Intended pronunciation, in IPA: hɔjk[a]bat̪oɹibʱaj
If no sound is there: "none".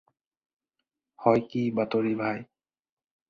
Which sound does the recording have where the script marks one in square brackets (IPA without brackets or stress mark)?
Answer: i